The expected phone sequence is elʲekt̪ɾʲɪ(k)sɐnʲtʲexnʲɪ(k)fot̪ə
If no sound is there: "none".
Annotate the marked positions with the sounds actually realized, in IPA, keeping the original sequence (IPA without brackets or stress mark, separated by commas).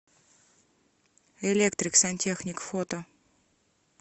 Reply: k, k